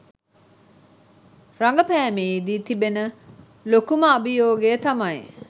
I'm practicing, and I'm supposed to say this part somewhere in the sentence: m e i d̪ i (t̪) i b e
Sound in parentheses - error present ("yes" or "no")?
no